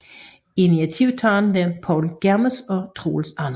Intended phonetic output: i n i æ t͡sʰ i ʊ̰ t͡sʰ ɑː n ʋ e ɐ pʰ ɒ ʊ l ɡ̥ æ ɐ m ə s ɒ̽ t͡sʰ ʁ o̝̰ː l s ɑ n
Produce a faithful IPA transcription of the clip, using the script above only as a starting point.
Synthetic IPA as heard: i n i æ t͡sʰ i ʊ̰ t͡sʰ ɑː n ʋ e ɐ pʰ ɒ ʊ l ɡ̥ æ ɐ m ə s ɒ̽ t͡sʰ ʁ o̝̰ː l s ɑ n